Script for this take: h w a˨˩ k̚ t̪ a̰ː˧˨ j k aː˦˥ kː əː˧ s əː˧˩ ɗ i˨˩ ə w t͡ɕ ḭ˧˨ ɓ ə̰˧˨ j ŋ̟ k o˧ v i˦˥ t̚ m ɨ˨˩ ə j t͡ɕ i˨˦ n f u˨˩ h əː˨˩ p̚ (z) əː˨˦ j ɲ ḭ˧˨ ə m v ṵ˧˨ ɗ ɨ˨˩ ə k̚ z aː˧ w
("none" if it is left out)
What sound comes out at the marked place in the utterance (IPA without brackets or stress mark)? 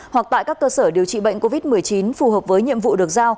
v